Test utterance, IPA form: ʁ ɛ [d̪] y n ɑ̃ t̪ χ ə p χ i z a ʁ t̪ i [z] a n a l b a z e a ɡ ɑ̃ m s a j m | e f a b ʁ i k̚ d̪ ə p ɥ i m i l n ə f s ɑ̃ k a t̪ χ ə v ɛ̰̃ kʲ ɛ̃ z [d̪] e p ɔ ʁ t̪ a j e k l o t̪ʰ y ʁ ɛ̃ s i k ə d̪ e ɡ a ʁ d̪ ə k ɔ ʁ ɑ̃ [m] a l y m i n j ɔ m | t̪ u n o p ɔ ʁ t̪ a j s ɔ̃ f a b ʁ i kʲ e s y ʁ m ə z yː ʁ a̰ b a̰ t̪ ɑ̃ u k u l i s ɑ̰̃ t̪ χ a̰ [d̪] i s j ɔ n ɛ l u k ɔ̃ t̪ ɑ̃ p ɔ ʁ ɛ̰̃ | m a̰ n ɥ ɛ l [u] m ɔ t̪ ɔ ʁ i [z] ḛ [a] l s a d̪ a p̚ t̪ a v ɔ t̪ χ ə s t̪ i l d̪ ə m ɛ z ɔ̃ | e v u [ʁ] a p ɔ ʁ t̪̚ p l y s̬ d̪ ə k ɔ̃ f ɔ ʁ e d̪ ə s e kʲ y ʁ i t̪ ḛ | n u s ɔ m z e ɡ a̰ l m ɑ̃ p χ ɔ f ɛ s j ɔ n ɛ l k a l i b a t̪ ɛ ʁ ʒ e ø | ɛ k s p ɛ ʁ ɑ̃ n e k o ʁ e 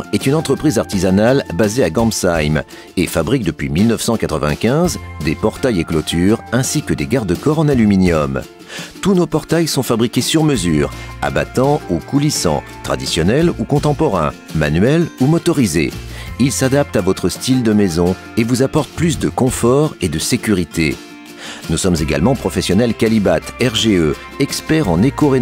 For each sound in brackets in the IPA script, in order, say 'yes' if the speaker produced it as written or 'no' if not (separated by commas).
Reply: no, yes, yes, no, yes, yes, yes, no, no